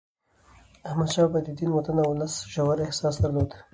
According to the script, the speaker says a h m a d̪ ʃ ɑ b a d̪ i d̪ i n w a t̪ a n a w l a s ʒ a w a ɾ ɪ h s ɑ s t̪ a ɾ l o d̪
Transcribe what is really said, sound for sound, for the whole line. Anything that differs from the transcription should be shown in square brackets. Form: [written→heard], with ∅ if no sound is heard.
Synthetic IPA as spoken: a h m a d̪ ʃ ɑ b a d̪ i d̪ i n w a t̪ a n a w l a s ʒ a w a ɾ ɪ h s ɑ s [t̪→d̪] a ɾ l o d̪